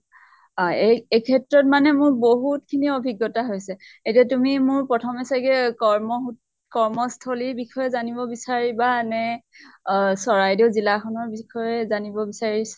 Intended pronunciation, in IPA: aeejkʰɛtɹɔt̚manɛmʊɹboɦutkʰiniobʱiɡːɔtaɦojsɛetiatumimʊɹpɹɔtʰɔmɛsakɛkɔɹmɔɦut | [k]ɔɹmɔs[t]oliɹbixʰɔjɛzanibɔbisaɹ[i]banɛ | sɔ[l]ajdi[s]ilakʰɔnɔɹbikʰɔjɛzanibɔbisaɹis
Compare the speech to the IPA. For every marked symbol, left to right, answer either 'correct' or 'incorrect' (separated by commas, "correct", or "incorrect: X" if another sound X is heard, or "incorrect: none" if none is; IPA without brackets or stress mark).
correct, incorrect: tʰ, correct, incorrect: ɹ, incorrect: z